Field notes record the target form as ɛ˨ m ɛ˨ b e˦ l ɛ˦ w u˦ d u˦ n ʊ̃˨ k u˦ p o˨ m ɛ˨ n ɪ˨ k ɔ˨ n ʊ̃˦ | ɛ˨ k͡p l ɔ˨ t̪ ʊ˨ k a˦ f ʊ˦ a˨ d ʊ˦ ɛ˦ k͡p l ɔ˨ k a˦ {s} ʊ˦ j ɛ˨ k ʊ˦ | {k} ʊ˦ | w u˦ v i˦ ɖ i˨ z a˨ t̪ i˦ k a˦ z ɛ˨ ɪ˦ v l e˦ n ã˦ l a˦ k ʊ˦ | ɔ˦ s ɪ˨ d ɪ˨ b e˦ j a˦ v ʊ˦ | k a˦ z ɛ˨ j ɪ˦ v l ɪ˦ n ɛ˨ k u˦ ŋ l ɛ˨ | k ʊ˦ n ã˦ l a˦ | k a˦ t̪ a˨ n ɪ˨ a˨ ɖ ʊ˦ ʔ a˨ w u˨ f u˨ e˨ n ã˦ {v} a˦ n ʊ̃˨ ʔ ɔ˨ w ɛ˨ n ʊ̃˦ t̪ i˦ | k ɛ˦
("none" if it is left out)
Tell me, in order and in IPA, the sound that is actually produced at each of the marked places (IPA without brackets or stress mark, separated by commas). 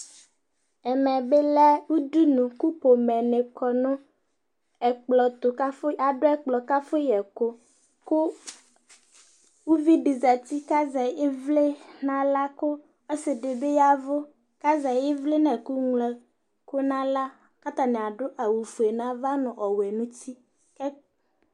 f, k, v